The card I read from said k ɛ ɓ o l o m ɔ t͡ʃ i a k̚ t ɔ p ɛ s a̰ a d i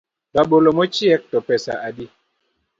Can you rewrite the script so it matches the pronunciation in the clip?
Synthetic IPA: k a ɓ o l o m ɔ t͡ʃ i ɛ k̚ t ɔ p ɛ s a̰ a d i

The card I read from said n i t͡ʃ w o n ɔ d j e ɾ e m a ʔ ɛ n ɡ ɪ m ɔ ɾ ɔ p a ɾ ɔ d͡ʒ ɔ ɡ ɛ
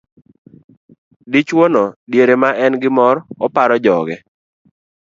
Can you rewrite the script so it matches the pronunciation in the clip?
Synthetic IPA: d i t͡ʃ w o n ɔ d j e ɾ e m a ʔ ɛ n ɡ ɪ m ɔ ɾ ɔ p a ɾ ɔ d͡ʒ ɔ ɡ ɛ

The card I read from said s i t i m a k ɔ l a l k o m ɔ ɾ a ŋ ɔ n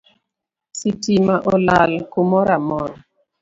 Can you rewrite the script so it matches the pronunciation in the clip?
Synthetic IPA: s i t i m a ʔ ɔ l a l k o m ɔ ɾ a m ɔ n

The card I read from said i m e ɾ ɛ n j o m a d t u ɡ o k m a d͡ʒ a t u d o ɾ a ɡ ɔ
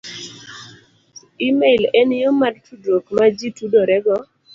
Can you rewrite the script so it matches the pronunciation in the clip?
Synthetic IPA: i m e l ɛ n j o m a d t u d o k m a d͡ʒ i t u d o ɾ ɛ ɡ ɔ

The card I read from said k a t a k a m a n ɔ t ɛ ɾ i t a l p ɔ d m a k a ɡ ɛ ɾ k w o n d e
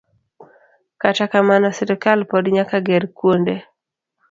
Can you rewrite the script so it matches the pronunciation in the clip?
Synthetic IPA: k a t a k a m a n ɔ s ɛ ɾ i k a l p ɔ d ɲ a k a ɡ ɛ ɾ k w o n d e

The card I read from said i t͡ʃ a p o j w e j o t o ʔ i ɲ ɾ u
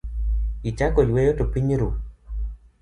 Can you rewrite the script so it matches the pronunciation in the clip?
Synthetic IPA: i t͡ʃ a k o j w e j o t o p i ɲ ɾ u

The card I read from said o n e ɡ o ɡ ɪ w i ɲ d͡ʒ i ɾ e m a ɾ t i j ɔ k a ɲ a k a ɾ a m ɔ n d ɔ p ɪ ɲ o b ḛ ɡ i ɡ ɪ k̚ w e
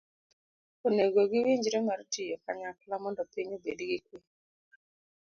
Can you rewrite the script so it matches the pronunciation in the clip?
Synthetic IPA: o n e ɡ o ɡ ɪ w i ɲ d͡ʒ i ɾ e m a ɾ t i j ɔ k a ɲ a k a l a m ɔ n d ɔ p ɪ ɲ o b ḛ d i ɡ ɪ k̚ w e

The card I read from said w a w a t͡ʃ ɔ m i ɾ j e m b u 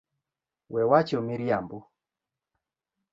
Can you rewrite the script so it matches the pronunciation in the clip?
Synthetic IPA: w ɛ w a t͡ʃ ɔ m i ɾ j a m b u

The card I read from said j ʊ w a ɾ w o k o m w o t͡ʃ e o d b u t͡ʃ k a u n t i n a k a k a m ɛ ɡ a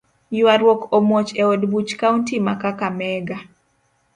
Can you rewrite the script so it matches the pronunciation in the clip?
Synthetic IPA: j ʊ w a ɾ w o k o m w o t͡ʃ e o d b u t͡ʃ k a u n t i m a k a k a m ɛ ɡ a

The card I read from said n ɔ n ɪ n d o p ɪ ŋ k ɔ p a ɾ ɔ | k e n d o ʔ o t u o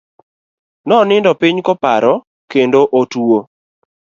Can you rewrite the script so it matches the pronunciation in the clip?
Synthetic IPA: n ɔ n ɪ n d ɔ p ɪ ɲ k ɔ p a ɾ ɔ | k e n d o ʔ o t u o

